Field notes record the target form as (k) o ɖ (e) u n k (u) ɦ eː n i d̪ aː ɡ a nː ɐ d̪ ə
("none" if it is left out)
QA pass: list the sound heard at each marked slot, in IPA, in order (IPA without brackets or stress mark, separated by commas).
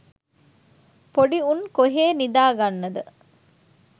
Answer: p, i, o